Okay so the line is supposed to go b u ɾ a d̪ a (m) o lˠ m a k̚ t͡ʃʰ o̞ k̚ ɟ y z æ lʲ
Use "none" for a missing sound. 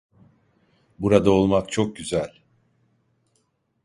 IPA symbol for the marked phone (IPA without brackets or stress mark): none